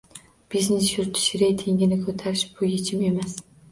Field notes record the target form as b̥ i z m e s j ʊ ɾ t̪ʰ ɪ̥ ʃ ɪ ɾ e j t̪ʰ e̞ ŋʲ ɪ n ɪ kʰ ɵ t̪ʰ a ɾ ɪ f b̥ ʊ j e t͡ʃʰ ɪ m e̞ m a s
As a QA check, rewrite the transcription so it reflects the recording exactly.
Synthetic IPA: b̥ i z n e s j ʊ ɾ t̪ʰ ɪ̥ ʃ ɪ ɾ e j t̪ʰ e̞ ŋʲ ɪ n ɪ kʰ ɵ t̪ʰ a ɾ ɪ ʃ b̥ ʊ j e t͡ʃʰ ɪ m e̞ m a s